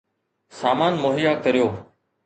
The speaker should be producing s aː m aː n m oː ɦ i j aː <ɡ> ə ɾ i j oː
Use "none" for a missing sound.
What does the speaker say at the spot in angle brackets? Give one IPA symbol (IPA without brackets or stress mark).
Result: k